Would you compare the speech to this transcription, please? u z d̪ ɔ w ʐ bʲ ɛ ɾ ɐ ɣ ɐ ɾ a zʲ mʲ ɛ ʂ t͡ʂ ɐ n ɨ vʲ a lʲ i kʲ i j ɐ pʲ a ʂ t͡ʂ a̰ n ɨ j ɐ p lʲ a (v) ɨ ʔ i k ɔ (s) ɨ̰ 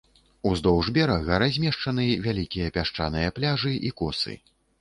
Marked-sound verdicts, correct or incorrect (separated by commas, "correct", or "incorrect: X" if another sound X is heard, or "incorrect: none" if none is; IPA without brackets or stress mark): incorrect: ʐ, correct